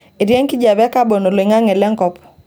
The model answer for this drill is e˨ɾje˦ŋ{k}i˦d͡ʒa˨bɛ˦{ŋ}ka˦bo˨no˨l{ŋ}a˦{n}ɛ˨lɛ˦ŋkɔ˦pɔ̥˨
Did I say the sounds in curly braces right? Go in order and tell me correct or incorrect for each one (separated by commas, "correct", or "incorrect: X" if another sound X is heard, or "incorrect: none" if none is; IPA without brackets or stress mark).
correct, incorrect: none, correct, incorrect: ŋ